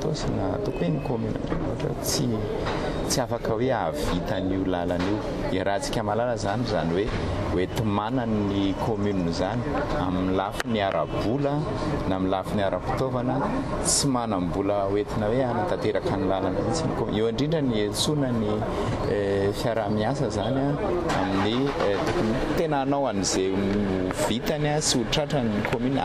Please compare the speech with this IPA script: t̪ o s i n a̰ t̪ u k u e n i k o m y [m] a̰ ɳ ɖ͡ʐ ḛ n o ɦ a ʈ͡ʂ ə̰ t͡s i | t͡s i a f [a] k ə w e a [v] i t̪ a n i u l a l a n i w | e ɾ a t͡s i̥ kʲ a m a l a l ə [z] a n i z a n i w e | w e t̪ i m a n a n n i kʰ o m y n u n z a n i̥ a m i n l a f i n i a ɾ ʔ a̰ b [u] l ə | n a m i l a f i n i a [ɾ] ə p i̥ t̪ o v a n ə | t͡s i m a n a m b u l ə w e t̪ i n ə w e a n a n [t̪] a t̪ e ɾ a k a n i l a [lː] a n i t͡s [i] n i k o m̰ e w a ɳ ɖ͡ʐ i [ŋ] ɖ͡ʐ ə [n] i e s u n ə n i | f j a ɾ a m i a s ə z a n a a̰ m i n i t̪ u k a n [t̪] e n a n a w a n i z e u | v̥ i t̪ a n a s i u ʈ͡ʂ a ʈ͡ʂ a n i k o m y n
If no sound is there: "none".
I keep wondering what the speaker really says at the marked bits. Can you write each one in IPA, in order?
n, a, v, z, u, ɾ, t̪, l, i, ɳ, n, t̪

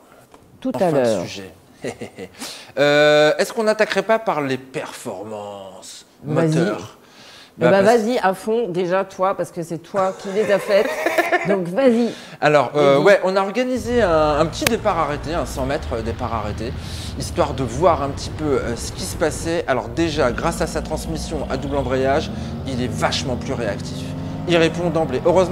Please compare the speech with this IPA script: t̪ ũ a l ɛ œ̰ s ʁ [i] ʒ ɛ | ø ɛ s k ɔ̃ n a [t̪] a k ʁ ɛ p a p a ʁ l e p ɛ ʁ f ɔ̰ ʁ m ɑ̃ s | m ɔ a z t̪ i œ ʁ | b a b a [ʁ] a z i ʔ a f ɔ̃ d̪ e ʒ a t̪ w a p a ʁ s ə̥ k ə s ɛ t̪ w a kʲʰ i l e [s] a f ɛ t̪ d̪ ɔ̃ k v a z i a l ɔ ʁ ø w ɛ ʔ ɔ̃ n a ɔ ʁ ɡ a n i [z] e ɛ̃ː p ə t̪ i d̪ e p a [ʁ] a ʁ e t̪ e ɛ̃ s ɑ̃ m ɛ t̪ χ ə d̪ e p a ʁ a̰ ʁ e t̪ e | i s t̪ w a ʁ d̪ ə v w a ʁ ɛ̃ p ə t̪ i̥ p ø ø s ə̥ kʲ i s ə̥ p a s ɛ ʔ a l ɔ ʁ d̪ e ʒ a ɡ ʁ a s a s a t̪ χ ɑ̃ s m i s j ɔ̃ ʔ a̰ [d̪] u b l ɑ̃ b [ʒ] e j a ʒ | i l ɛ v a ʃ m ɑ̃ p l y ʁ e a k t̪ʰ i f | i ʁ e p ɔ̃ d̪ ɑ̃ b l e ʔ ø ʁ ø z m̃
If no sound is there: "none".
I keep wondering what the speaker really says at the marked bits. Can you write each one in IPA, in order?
y, t̪, v, z, z, ʁ, d̪, ʁ

